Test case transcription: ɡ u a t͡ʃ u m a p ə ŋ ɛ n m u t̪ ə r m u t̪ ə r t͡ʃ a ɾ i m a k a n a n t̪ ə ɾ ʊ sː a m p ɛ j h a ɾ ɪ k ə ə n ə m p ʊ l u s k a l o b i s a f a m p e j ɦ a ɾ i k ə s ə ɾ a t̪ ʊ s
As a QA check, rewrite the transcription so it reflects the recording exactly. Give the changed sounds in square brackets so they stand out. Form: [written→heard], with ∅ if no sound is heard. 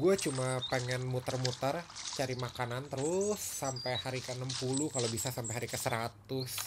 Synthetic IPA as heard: ɡ u a t͡ʃ u m a p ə ŋ ɛ n m u t̪ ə r m u t̪ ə r t͡ʃ a ɾ i m a k a n a n t̪ ə ɾ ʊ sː a m p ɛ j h a ɾ [ɪ→i] k ə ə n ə m p [ʊ→u] l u [s→∅] k a l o b i s a [f→s] a m p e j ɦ a ɾ i k ə s ə ɾ a t̪ ʊ s